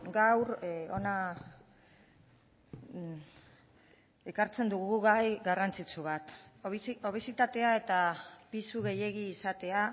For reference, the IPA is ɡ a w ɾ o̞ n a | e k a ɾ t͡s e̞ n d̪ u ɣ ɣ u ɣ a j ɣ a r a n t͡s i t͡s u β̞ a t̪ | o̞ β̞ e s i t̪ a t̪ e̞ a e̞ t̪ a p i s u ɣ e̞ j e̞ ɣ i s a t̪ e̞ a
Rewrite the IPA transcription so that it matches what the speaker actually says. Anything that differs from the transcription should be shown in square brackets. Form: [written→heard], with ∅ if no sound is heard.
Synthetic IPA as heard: ɡ a w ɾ o̞ n a | e k a ɾ t͡s e̞ n d̪ u ɣ ɣ u ɣ a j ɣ a r a n t͡s i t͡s u β̞ a t̪ | o̞ β̞ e s i t̪ a t̪ e̞ a e̞ t̪ a p i s u ɣ e̞ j e̞ ɣ [i→iː] s a t̪ e̞ a